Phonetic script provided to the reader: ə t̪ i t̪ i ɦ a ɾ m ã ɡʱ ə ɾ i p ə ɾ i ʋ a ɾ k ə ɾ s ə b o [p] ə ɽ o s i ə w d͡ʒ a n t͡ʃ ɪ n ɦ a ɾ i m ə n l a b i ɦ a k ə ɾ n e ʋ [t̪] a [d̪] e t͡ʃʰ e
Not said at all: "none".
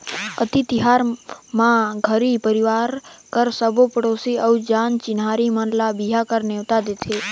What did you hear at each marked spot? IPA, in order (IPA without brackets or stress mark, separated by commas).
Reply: p, t̪, d̪